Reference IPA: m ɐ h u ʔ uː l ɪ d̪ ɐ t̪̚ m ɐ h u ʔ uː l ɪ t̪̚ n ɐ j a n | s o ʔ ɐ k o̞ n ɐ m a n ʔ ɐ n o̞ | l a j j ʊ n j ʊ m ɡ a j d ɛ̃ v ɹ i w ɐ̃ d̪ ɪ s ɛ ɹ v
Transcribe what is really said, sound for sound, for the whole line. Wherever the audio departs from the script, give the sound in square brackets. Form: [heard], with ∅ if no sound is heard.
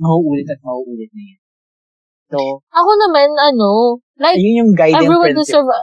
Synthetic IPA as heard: m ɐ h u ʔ uː l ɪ [t̪] ɐ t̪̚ m ɐ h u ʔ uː l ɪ t̪̚ n ɐ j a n | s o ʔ ɐ k o̞ n ɐ m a n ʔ ɐ n o̞ | l a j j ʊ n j ʊ [ŋ] ɡ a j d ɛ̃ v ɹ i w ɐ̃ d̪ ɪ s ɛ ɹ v